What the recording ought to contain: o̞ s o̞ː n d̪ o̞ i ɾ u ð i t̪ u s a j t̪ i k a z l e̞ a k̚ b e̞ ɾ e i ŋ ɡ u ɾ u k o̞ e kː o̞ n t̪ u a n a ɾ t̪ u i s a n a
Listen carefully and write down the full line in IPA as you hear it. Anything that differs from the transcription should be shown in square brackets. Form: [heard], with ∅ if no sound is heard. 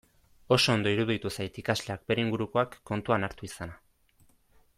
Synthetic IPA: o̞ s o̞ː n d̪ o̞ i ɾ u ð i t̪ u s a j t̪ i k a z l e̞ a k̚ b e̞ ɾ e i ŋ ɡ u ɾ u k o̞ [a] kː o̞ n t̪ u a n a ɾ t̪ u i s a n a